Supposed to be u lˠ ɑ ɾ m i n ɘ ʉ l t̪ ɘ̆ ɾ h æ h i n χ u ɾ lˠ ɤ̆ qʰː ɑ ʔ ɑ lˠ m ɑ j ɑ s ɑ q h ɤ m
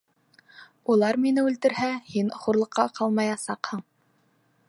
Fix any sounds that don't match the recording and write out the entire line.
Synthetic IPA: u lˠ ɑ ɾ m i n ɘ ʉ l t̪ ɘ̆ ɾ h æ h i n χ u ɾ lˠ ɤ̆ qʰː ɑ q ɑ lˠ m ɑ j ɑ s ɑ q h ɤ ɴ